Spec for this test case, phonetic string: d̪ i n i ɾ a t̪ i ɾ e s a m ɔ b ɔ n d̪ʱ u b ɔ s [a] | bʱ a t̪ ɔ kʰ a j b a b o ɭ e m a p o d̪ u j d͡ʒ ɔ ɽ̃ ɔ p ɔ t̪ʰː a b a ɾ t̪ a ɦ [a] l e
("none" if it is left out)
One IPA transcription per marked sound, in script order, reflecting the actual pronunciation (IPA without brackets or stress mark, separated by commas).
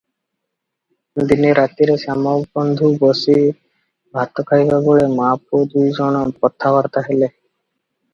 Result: i, e